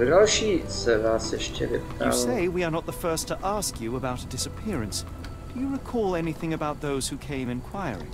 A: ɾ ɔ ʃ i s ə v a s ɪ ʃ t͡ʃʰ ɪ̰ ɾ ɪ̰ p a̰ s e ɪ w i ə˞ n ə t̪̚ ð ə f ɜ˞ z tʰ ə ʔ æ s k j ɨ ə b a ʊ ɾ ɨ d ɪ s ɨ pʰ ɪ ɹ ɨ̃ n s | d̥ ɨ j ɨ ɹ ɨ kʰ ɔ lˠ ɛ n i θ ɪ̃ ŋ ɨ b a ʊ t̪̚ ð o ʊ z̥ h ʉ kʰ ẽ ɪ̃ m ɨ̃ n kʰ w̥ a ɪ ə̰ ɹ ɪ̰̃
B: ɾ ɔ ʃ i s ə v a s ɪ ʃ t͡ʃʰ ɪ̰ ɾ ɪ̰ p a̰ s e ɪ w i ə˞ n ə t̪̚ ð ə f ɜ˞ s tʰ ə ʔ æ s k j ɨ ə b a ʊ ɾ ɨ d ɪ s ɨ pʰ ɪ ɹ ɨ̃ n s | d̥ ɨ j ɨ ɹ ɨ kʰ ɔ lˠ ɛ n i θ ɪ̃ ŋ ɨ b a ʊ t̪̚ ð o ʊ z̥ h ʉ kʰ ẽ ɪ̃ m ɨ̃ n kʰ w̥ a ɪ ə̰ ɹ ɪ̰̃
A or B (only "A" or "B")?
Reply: B